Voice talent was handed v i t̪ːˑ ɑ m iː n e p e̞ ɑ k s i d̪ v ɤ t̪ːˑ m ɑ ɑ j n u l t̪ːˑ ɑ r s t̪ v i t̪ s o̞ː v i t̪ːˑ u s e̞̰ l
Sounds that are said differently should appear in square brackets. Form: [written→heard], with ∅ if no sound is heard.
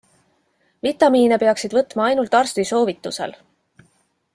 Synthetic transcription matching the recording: v i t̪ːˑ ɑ m iː n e p e̞ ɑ k s i d̪ v ɤ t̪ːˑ m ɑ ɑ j n u l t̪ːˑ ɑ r s t̪ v i [t̪→∅] s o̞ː v i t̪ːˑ u s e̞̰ l